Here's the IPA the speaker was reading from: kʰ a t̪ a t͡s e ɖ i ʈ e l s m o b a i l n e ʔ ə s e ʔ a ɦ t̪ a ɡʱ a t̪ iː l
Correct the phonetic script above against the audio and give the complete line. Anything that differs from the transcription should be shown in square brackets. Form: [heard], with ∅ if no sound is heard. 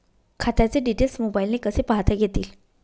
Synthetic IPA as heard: kʰ a t̪ a t͡s e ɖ i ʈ e l s m o b a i l n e [k] ə s e [p] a ɦ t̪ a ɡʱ [e] t̪ iː l